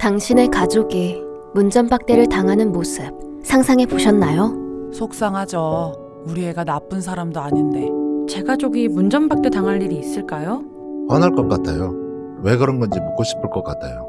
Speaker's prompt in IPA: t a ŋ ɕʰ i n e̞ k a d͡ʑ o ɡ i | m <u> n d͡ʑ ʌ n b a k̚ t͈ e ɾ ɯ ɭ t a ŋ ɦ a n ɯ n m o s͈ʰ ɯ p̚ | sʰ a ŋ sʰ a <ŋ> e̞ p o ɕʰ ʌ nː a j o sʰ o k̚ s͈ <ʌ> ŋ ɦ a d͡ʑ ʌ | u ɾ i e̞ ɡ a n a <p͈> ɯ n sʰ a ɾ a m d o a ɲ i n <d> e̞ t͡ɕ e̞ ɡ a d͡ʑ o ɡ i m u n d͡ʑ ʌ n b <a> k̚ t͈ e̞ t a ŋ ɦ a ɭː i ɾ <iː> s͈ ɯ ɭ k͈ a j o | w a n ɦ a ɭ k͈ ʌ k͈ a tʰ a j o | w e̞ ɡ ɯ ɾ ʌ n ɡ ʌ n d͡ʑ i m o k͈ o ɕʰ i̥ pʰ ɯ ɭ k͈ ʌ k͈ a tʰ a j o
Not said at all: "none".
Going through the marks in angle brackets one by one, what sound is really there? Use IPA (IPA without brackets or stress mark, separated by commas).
u, ŋ, a, p͈, d, a, iː